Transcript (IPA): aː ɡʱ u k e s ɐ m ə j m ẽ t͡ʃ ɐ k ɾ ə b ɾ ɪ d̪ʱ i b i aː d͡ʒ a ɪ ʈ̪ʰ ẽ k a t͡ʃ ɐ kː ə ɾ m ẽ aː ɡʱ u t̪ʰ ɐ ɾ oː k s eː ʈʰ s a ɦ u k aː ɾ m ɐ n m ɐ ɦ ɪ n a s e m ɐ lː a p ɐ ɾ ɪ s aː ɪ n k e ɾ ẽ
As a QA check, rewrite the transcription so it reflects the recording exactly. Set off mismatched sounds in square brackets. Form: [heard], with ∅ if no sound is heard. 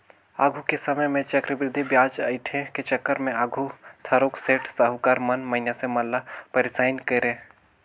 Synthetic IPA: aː ɡʱ u k e s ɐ m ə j m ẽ t͡ʃ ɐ k ɾ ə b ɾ ɪ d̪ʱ i b [j] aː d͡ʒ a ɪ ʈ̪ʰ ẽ k [e] t͡ʃ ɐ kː ə ɾ m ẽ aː ɡʱ u t̪ʰ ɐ ɾ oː k s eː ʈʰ s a ɦ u k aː ɾ m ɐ n m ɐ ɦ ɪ n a s e m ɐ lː a p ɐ ɾ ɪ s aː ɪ n k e ɾ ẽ